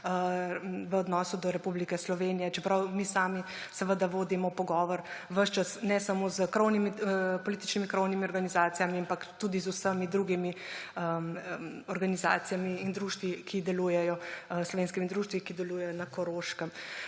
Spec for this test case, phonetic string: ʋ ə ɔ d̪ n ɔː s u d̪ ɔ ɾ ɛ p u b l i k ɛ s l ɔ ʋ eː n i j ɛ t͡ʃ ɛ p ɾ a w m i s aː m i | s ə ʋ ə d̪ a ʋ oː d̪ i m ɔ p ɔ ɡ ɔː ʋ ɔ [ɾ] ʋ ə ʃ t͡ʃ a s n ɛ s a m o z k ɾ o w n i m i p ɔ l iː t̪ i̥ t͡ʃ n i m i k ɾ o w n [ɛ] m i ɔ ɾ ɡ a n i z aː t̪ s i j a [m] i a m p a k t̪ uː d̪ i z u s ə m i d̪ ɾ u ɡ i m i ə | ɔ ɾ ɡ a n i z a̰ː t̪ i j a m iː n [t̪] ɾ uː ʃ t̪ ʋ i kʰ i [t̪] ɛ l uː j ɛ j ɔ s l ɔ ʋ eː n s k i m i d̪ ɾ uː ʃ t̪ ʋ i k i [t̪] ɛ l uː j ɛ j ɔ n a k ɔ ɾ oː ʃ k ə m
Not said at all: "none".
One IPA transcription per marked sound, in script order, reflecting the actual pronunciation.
ɾ, i, m, d̪, d̪, d̪

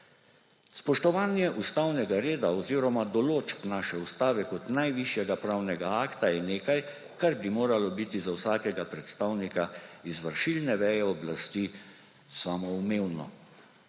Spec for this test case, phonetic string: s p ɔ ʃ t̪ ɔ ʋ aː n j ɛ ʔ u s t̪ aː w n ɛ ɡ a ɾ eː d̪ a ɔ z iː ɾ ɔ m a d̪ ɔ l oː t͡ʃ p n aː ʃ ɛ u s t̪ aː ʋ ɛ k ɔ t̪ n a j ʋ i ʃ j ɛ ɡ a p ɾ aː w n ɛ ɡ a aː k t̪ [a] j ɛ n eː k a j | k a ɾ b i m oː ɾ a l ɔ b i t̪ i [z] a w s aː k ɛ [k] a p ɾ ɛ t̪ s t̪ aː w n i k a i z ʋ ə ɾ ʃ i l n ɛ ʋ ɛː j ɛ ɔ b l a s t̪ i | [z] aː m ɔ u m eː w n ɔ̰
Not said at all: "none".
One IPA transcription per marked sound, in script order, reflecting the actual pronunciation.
a, z, ɡ, s

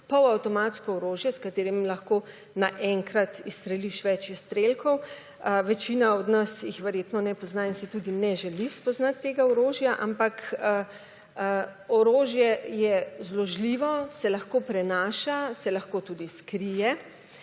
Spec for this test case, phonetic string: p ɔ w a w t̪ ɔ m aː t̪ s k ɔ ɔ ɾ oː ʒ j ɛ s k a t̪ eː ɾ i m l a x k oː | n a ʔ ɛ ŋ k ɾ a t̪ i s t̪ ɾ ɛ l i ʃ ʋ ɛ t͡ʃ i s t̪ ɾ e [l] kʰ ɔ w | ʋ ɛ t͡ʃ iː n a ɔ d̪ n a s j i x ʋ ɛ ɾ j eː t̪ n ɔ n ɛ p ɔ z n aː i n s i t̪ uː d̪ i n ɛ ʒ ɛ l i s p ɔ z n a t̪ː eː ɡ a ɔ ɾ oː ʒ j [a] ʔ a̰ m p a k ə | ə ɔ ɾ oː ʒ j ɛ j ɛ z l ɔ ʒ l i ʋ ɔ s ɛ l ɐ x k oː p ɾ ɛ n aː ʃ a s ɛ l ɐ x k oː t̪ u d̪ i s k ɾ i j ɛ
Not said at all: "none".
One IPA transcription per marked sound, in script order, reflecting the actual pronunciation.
l, a

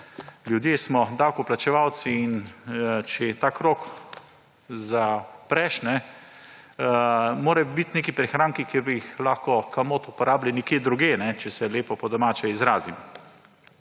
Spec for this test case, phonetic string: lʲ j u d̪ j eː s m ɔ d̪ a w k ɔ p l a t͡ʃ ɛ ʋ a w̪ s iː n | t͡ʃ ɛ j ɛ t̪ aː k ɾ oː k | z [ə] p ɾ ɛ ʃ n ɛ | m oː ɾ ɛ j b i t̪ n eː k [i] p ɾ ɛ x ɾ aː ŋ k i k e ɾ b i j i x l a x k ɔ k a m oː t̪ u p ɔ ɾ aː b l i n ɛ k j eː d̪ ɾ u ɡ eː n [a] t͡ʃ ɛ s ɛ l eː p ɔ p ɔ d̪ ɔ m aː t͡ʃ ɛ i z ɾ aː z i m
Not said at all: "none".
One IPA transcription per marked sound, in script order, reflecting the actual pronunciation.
a, i, ɛ

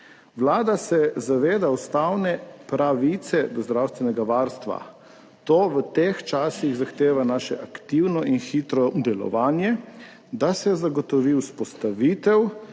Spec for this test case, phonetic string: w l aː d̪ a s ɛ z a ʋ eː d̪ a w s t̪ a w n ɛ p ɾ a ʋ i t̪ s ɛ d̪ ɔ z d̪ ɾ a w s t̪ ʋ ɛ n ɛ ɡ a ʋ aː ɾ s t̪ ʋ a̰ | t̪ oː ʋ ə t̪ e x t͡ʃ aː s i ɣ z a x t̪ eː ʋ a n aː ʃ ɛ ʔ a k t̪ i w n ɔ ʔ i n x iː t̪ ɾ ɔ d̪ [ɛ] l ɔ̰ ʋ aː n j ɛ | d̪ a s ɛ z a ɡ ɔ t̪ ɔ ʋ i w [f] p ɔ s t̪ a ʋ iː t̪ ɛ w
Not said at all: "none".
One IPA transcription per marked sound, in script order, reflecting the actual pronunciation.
ɛ, s

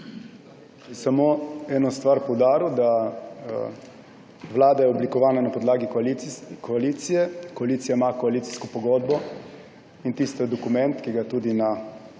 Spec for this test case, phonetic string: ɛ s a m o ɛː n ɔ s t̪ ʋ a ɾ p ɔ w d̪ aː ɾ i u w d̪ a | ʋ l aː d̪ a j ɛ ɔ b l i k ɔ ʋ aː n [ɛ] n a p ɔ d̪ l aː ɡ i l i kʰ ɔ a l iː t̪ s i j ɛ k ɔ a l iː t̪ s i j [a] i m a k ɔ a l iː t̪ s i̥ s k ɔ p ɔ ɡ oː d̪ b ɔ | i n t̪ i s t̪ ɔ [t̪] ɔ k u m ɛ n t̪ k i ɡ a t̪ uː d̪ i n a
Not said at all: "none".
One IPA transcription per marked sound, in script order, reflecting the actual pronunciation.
a, a, d̪

